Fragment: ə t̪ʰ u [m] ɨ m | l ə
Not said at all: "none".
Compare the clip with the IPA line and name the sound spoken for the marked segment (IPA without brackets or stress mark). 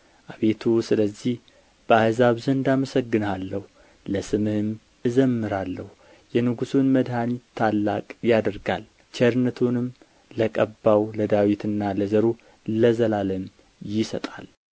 n